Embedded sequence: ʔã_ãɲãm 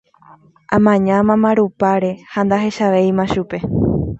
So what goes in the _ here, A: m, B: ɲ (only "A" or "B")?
A